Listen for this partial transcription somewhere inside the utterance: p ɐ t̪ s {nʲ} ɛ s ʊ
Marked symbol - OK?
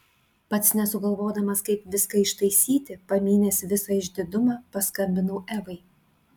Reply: yes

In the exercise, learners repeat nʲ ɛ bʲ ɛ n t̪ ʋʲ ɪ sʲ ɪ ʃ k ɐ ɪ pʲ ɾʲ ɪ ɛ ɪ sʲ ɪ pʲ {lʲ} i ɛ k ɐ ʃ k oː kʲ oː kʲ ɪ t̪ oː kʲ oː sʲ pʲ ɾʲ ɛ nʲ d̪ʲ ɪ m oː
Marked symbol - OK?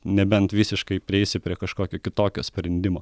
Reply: no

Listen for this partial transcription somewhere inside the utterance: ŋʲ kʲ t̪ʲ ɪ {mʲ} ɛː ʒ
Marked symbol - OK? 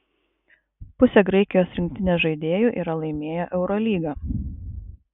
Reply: no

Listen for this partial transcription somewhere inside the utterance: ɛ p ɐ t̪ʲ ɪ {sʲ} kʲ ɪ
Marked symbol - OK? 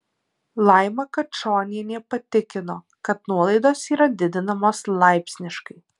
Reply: no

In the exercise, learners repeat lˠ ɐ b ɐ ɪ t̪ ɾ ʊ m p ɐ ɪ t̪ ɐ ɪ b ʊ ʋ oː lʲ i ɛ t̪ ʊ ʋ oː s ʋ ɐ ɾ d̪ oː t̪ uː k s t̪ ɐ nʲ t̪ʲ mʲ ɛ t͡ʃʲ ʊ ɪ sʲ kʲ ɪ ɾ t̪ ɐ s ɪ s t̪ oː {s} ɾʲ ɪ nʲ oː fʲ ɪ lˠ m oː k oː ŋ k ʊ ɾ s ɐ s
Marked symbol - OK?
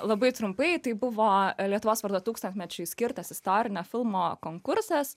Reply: no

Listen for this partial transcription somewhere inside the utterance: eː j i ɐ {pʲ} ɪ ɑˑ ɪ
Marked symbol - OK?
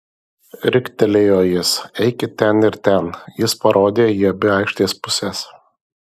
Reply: no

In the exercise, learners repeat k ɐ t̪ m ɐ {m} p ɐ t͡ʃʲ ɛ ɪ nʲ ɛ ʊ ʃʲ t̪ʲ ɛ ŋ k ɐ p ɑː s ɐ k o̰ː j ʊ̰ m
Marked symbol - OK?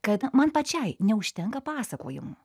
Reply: no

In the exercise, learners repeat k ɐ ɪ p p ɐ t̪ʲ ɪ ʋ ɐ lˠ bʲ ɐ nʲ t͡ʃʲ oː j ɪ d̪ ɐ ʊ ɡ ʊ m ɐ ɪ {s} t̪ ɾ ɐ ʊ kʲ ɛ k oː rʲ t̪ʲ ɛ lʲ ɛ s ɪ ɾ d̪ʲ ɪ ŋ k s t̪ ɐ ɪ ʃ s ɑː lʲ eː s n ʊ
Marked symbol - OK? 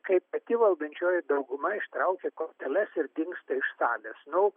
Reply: no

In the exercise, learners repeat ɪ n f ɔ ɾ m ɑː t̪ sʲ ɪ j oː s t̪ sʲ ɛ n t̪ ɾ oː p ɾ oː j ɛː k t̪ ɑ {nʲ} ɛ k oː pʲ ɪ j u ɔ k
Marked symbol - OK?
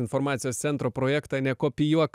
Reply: yes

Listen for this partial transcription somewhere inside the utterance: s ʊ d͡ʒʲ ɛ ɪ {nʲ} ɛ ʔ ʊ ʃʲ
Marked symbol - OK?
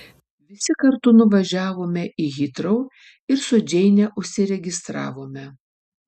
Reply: yes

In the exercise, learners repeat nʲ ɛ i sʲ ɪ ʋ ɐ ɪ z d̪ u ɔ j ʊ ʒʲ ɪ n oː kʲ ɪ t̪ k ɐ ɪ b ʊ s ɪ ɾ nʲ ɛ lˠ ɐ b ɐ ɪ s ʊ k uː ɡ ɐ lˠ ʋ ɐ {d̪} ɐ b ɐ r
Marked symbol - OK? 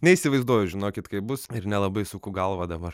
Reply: yes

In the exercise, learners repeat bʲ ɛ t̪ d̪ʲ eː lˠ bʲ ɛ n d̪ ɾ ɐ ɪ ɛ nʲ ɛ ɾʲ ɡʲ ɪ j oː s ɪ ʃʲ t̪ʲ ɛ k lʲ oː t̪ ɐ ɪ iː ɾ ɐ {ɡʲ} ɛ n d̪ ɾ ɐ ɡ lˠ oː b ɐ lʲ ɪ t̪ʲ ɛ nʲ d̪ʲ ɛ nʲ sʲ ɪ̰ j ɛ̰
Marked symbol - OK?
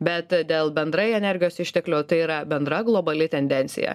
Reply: no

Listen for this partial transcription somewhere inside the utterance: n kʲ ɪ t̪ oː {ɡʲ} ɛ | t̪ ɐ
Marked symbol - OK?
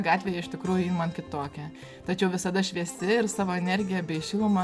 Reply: no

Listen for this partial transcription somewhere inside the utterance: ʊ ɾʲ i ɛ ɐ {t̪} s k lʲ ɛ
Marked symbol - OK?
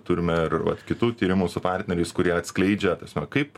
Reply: yes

